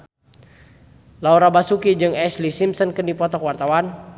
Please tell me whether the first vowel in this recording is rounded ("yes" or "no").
no